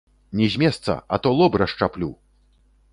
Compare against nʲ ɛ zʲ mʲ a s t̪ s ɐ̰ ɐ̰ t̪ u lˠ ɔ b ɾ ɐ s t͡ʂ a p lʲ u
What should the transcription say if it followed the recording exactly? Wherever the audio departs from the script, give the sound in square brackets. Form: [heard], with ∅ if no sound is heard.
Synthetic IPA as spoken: nʲ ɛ zʲ mʲ [ɛ] s t̪ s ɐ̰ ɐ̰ t̪ [ɔ] lˠ ɔ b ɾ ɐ [ʂ] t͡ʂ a p lʲ u